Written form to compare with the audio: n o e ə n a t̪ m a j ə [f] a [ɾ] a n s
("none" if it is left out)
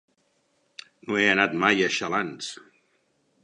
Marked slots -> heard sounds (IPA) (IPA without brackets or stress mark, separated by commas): ʃ, l